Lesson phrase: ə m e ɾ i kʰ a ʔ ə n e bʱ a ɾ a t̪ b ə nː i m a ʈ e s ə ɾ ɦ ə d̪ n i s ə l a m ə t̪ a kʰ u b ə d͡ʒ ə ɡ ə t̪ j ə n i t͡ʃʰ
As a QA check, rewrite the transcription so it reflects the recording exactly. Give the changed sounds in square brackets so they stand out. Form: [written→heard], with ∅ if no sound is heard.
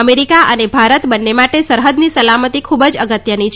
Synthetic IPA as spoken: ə m e ɾ i [kʰ→k] a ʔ ə n e bʱ a ɾ [a→ə] t̪ b ə nː [i→e] m a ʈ e s ə ɾ ɦ ə d̪ n i s ə l a m ə t̪ [a→i] kʰ u b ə d͡ʒ ə ɡ ə t̪ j ə n i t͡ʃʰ